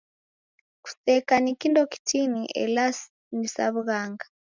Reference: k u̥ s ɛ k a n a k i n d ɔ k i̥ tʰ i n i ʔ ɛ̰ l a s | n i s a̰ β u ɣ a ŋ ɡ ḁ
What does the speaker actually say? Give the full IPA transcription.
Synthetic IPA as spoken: k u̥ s ɛ k a n i k i n d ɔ k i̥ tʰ i n i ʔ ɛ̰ l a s | n i s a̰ β u ɣ a ŋ ɡ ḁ